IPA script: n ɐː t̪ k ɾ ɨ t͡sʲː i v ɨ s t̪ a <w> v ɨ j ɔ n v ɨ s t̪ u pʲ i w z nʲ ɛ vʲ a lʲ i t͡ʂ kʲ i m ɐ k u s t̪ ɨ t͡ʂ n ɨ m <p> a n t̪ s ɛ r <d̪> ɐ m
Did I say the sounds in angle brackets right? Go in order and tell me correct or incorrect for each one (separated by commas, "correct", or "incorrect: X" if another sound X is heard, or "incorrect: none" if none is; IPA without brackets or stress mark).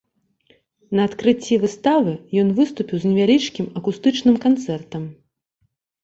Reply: incorrect: none, incorrect: k, incorrect: t̪